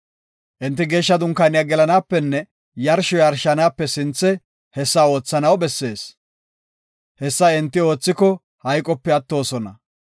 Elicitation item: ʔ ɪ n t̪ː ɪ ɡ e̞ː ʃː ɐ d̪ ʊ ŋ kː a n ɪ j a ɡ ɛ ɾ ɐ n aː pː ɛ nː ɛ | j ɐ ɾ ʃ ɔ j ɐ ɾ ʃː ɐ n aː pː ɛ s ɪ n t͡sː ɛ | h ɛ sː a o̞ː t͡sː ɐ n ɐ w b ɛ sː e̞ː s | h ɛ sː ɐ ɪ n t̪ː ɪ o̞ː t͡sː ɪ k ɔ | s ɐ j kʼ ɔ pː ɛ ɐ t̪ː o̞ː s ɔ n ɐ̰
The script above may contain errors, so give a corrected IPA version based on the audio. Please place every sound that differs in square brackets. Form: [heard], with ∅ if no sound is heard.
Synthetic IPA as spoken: ʔ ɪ n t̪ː ɪ ɡ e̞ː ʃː ɐ d̪ ʊ ŋ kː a n ɪ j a ɡ ɛ [l] ɐ n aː pː ɛ nː ɛ | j ɐ ɾ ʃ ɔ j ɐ ɾ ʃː ɐ n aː pː ɛ s ɪ n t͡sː ɛ | h ɛ sː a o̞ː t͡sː ɐ n ɐ w b ɛ sː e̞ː s | h ɛ sː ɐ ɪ n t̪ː ɪ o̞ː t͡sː ɪ k ɔ | [h] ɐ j kʼ ɔ pː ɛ ɐ t̪ː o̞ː s ɔ n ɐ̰

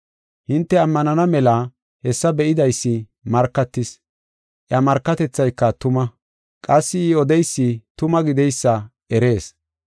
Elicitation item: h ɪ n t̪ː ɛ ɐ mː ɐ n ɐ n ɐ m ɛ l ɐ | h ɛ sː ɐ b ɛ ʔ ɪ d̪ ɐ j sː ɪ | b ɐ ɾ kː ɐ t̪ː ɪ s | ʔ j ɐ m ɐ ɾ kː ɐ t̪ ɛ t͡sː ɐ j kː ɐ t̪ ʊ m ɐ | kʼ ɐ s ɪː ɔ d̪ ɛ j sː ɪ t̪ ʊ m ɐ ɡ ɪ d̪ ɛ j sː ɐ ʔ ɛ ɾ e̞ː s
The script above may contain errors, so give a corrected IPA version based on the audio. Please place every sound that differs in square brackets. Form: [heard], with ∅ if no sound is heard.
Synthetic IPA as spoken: h ɪ n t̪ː ɛ ɐ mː ɐ n ɐ n ɐ m ɛ l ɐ | h ɛ sː ɐ b ɛ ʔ ɪ d̪ ɐ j sː ɪ | [m] ɐ ɾ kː ɐ t̪ː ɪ s | ʔ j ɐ m ɐ ɾ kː ɐ t̪ ɛ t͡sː ɐ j kː ɐ t̪ ʊ m ɐ | kʼ ɐ [sː] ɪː ɔ d̪ ɛ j sː ɪ t̪ ʊ m ɐ ɡ ɪ d̪ ɛ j sː ɐ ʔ ɛ ɾ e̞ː s

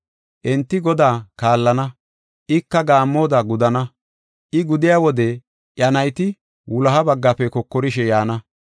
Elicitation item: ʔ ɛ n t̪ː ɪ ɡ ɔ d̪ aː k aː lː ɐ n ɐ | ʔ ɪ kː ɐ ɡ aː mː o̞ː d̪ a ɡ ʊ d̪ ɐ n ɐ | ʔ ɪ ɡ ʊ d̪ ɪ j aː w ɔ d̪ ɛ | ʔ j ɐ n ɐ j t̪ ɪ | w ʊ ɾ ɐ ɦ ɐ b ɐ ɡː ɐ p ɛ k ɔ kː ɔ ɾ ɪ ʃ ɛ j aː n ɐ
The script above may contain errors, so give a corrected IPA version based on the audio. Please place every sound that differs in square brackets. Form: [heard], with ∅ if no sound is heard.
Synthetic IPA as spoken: ʔ ɛ n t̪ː ɪ ɡ ɔ d̪ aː k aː lː ɐ n ɐ | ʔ ɪ kː ɐ ɡ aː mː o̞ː d̪ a ɡ ʊ d̪ ɐ n ɐ | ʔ ɪ ɡ ʊ d̪ ɪ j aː w ɔ d̪ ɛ | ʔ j ɐ n ɐ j t̪ ɪ | w ʊ [l] ɐ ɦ ɐ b ɐ ɡː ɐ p ɛ k ɔ kː ɔ ɾ ɪ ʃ ɛ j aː n ɐ

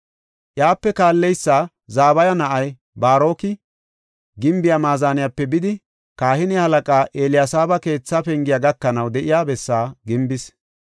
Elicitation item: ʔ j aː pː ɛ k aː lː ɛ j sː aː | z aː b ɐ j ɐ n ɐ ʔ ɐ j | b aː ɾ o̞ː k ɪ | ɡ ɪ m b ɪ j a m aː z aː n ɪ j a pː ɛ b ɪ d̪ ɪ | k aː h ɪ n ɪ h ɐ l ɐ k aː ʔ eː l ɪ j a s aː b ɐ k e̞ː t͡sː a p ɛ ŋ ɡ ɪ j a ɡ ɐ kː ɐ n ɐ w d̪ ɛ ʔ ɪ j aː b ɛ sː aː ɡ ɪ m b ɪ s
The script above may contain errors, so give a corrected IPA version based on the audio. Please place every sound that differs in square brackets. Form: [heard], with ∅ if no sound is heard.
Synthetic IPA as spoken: ʔ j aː pː ɛ k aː lː ɛ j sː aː | z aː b ɐ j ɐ n ɐ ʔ ɐ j | b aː ɾ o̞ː k ɪ | ɡ ɪ m b ɪ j a m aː z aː n ɪ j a pː ɛ b ɪ d̪ ɪ | k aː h ɪ n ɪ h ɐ l ɐ [kʼ] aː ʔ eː l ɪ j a s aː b ɐ k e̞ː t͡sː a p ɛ ŋ ɡ ɪ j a ɡ ɐ kː ɐ n ɐ w d̪ ɛ ʔ ɪ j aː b ɛ sː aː ɡ ɪ m b ɪ s

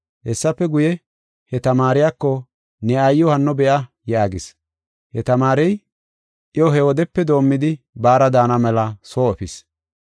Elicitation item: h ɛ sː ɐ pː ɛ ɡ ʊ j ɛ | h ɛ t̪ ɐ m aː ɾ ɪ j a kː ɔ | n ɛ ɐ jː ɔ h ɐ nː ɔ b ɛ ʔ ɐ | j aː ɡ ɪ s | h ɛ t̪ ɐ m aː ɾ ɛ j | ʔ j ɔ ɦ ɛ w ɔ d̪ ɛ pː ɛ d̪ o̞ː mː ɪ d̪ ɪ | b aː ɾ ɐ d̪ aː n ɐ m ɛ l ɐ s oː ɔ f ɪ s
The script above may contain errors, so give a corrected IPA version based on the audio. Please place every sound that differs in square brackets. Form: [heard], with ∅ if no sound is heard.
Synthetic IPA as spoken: h ɛ sː ɐ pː ɛ ɡ ʊ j ɛ | h ɛ t̪ ɐ m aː ɾ ɪ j a kː ɔ | n ɛ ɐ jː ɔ h ɐ nː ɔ b ɛ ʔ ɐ | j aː ɡ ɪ s | h ɛ t̪ ɐ m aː ɾ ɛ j | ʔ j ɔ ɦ ɛ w ɔ d̪ ɛ pː ɛ d̪ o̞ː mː ɪ d̪ ɪ | b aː ɾ ɐ d̪ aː n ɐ m ɛ l ɐ s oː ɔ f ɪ s

